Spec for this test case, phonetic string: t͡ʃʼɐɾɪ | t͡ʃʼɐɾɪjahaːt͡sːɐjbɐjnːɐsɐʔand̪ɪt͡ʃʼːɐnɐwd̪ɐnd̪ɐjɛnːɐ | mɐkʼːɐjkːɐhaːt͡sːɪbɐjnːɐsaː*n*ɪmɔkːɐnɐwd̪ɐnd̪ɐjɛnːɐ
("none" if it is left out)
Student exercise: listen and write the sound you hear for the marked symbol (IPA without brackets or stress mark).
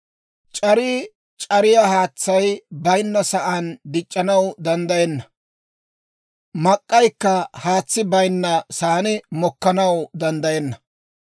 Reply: n